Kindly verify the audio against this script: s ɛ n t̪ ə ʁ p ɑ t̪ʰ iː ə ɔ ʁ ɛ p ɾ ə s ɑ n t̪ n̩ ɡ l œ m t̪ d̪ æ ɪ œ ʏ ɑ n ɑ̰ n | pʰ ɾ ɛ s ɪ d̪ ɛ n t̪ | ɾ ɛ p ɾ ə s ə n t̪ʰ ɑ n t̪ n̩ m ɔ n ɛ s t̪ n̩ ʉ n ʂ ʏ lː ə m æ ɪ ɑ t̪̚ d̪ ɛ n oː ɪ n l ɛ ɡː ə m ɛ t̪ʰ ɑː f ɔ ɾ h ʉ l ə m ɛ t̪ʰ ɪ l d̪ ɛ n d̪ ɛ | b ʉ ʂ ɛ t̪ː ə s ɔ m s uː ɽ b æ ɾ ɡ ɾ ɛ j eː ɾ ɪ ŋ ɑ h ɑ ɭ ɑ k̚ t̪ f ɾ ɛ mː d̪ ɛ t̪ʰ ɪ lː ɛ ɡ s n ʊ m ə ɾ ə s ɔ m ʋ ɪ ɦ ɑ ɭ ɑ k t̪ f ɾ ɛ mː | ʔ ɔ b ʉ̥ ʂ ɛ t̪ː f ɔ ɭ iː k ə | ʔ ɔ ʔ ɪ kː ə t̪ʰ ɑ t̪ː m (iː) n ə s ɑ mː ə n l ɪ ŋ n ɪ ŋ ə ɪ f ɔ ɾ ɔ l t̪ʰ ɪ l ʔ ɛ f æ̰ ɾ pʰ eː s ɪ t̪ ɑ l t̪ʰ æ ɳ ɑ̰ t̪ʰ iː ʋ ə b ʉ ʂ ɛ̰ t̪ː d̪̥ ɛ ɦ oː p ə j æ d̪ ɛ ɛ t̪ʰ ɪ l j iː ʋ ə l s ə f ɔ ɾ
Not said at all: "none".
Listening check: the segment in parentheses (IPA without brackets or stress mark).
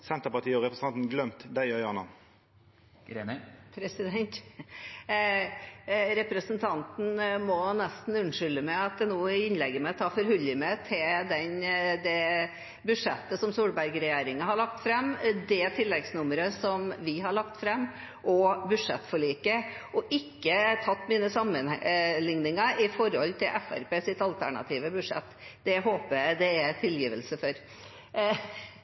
iː